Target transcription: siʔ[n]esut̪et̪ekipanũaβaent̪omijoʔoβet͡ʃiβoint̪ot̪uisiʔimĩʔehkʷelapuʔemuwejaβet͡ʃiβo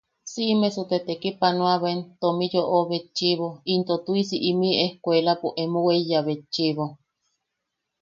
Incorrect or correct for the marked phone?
incorrect: m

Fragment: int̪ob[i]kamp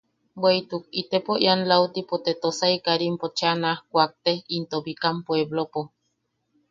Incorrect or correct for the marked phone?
correct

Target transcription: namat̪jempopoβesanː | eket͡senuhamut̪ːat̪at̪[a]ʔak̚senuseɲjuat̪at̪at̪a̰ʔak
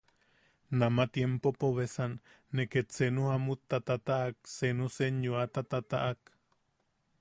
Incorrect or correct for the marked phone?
correct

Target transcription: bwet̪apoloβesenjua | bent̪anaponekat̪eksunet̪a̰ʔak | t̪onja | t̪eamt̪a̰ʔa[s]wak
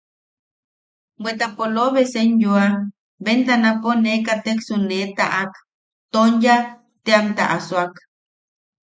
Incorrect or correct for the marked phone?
correct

